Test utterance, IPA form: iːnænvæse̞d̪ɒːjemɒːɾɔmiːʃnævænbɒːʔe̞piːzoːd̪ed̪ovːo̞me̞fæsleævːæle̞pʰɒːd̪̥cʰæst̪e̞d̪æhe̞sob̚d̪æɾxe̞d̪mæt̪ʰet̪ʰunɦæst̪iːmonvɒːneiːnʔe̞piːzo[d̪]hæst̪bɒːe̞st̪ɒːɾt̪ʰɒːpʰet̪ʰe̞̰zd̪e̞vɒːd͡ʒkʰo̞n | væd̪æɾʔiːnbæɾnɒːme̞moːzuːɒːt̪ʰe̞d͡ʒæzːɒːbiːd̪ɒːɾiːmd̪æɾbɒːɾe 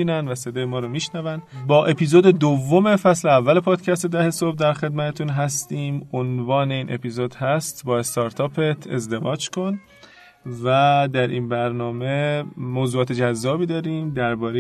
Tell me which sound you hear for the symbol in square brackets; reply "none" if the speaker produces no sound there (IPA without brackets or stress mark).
d̪